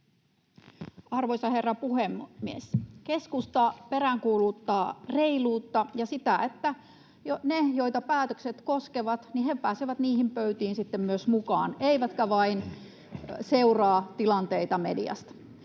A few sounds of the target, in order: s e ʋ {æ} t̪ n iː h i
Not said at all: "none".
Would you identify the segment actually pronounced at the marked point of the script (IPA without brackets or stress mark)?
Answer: æ